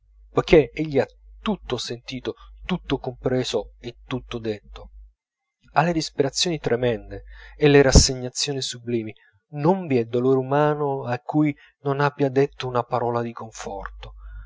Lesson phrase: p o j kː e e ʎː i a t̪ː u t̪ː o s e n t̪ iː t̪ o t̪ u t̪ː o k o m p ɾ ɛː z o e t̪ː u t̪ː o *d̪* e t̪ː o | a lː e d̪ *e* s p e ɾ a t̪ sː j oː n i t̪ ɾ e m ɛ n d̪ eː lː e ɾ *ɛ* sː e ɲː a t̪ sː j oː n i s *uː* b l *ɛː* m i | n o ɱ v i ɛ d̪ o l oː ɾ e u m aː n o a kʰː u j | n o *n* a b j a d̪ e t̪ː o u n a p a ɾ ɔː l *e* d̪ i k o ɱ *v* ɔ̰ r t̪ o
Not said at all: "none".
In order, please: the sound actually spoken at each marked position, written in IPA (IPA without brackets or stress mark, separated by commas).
d̪, i, a, u, iː, n, a, f